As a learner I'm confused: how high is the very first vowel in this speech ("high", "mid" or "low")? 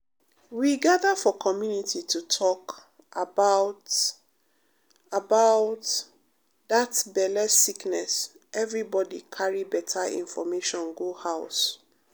high